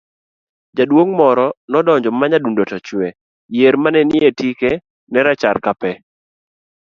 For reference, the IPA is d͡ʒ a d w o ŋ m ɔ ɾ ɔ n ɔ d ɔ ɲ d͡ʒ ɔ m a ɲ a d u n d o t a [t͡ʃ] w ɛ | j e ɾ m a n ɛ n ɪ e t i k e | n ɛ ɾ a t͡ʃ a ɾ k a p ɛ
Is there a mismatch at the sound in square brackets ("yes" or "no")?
no